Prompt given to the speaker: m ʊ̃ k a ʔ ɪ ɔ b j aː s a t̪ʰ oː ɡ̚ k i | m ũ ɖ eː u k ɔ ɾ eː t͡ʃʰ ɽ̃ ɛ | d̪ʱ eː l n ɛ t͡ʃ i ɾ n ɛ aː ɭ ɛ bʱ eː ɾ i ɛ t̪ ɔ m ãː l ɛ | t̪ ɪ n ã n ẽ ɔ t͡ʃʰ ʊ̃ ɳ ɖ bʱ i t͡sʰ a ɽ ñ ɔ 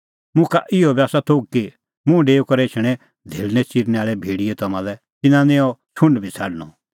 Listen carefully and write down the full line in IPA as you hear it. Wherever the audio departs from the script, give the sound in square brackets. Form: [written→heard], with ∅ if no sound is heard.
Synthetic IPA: m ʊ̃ k a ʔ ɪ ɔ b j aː s a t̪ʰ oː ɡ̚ k i | m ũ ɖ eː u k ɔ ɾ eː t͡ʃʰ ɽ̃ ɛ | d̪ʱ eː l n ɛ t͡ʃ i ɾ n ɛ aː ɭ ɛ bʱ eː [ɾ→ɽ] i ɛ t̪ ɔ m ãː l ɛ | t̪ ɪ n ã n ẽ ɔ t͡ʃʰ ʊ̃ ɳ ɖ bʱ i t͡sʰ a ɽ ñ ɔ